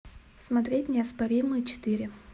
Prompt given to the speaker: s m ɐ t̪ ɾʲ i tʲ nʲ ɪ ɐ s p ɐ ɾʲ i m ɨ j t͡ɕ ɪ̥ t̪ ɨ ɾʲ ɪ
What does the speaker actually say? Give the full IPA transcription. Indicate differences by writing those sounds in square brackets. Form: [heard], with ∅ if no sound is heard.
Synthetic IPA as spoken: s m ɐ t̪ ɾʲ [e] tʲ nʲ ɪ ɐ s p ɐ ɾʲ i m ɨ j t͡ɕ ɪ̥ t̪ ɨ ɾʲ ɪ